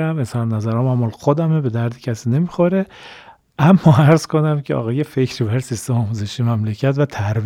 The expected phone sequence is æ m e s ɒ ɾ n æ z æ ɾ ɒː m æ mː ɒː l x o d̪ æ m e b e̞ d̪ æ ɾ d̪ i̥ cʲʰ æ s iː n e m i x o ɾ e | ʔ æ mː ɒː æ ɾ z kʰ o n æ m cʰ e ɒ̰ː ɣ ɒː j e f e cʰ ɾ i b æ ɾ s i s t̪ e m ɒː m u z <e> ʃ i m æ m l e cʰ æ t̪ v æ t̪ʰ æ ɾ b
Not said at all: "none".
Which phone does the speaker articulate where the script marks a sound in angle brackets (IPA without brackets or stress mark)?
e